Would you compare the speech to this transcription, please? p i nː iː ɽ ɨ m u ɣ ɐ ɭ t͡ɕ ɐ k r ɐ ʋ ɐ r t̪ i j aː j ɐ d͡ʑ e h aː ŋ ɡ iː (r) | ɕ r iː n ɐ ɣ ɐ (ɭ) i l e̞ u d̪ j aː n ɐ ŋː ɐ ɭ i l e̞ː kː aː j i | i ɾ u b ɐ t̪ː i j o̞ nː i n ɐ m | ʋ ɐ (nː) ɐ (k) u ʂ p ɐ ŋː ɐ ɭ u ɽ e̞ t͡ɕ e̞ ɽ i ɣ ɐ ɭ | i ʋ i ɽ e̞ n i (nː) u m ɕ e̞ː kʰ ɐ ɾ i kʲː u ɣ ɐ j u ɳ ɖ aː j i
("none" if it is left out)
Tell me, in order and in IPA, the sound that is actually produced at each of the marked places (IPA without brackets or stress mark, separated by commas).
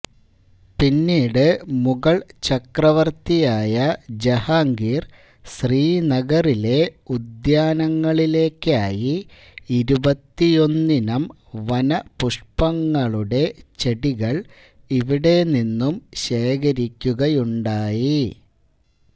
r, r, n, p, nː